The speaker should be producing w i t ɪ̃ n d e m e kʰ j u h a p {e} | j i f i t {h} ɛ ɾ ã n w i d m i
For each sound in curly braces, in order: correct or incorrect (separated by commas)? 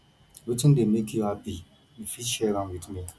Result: incorrect, incorrect